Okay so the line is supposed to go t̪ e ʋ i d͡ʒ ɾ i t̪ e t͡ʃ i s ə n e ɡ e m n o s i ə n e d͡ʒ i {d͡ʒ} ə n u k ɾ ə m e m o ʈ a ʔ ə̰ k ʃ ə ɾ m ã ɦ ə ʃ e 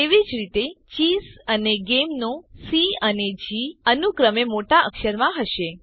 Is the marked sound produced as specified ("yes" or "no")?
no